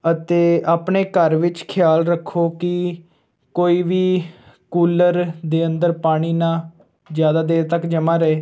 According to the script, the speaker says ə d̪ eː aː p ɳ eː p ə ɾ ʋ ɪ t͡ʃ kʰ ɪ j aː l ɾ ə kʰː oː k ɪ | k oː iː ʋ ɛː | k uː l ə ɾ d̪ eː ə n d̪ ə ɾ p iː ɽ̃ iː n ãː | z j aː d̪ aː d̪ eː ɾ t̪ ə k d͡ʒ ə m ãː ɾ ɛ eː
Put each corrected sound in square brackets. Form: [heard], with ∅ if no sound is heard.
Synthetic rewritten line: ə [t̪] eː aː p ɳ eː [k] ə ɾ ʋ ɪ t͡ʃ kʰ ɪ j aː l ɾ ə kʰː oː k ɪ | k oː iː ʋ [iː] | k uː l ə ɾ d̪ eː ə n d̪ ə ɾ p [aː] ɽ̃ iː n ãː | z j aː d̪ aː d̪ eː ɾ t̪ ə k d͡ʒ ə m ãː ɾ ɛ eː

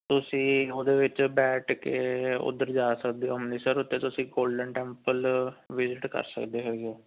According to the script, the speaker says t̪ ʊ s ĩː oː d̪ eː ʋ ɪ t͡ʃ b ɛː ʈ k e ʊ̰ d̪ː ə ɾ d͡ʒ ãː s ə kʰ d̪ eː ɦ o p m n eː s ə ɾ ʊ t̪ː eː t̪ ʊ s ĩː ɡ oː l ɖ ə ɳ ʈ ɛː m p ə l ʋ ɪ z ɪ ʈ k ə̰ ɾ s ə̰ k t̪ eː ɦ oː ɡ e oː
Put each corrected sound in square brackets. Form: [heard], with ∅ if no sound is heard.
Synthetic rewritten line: t̪ ʊ s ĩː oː d̪ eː ʋ ɪ t͡ʃ b ɛː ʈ k e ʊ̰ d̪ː ə ɾ d͡ʒ [aː] s ə [k] d̪ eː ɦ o [∅] m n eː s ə ɾ ʊ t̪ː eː t̪ ʊ s ĩː ɡ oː l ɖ ə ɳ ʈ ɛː m p ə l ʋ ɪ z ɪ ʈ k ə̰ ɾ s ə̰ k [d̪] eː ɦ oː ɡ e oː

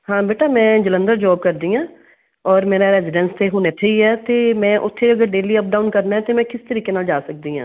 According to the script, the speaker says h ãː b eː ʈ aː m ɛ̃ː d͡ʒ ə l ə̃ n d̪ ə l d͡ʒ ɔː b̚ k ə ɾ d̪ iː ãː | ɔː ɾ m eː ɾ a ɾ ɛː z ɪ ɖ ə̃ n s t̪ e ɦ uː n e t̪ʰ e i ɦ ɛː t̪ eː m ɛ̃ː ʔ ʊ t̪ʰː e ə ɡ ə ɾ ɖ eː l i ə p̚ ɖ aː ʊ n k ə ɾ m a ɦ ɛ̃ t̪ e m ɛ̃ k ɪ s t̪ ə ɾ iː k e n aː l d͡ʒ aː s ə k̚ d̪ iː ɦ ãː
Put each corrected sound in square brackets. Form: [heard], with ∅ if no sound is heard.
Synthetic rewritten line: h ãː b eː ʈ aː m ɛ̃ː d͡ʒ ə l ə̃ n d̪ ə [ɾ] d͡ʒ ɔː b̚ k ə ɾ d̪ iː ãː | ɔː ɾ m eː ɾ a ɾ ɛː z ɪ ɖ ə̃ n s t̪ e ɦ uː n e t̪ʰ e i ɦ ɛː t̪ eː m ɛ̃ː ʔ ʊ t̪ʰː e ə ɡ ə ɾ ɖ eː l i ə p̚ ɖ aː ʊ n k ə ɾ [n] a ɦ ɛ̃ t̪ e m ɛ̃ k ɪ s t̪ ə ɾ iː k e n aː l d͡ʒ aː s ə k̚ d̪ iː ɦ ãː

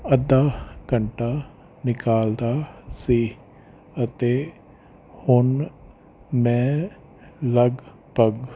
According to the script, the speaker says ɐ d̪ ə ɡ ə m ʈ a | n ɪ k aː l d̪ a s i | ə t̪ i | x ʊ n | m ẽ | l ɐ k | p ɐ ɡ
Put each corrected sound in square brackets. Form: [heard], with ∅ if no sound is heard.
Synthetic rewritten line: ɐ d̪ [a] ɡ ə [ɳ] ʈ a | n ɪ k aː l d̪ a s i | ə t̪ [e] | [h] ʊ n | m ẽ | l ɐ [ɡ] | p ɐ ɡ

